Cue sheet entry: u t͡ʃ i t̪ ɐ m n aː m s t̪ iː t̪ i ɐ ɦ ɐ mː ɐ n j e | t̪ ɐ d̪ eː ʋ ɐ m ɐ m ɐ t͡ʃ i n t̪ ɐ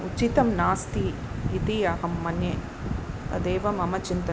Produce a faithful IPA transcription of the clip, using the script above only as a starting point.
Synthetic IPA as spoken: u t͡ʃ i t̪ ɐ m n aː s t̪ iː t̪ i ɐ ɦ ɐ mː ɐ n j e | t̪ ɐ d̪ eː ʋ ɐ m ɐ m ɐ t͡ʃ i n t̪ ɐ